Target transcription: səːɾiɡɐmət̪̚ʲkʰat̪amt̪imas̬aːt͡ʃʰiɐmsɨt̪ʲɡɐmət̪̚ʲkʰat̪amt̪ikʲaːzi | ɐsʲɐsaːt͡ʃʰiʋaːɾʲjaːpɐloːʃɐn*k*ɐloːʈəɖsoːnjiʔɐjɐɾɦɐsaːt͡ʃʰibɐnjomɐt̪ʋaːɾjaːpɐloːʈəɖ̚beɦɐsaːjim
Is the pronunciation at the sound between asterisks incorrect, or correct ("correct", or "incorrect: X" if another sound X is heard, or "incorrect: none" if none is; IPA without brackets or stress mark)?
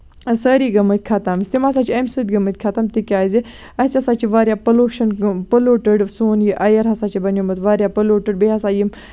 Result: incorrect: p